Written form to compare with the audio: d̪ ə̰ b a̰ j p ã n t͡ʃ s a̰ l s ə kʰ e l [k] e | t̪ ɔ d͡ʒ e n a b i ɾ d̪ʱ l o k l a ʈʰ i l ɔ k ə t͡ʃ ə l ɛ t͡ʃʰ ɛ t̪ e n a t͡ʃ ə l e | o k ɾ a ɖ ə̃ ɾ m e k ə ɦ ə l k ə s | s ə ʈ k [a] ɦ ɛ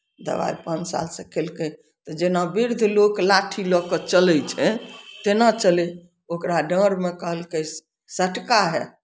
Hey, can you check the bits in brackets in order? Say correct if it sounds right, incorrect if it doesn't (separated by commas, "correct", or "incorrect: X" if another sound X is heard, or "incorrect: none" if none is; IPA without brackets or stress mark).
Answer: correct, correct